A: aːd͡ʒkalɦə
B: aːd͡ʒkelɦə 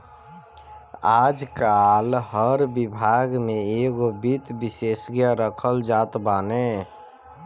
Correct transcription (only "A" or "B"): A